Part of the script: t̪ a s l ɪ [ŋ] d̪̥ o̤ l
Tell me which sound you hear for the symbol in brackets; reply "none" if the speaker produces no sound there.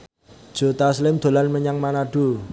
m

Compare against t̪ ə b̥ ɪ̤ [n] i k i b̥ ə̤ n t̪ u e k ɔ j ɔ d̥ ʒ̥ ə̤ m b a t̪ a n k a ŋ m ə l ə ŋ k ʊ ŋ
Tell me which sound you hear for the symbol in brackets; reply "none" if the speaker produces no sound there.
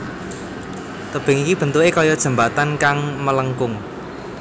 ŋ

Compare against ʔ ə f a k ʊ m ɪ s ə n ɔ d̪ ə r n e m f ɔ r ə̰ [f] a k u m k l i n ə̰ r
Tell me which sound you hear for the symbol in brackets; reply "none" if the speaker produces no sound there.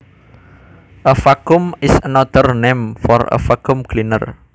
f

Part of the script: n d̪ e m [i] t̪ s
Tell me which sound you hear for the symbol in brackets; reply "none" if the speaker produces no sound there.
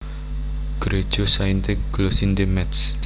ɛ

